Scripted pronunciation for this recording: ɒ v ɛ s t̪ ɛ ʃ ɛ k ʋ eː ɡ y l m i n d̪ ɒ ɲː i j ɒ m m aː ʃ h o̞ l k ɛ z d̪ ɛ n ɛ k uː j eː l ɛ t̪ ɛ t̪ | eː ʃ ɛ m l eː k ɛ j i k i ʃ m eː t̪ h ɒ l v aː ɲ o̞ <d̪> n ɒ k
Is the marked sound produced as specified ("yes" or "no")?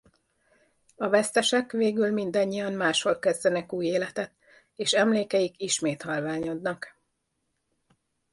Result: yes